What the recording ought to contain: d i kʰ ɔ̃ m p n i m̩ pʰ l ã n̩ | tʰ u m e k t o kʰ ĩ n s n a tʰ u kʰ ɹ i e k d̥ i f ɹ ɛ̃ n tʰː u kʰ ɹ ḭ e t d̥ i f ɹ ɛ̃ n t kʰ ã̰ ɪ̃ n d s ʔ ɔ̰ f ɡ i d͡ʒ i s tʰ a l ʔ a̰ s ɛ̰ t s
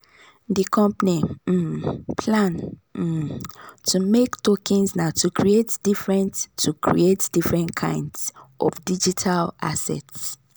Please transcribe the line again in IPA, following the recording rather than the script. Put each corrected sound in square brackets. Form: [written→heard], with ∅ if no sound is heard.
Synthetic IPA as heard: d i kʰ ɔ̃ m p n i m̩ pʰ l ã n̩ | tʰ u m e k t o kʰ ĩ n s n a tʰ u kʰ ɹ i e [k→t] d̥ i f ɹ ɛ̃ n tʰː u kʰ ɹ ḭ e t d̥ i f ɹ ɛ̃ n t kʰ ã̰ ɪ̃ n d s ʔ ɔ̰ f [ɡ→d] i d͡ʒ i [s→∅] tʰ a l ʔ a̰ s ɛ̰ t s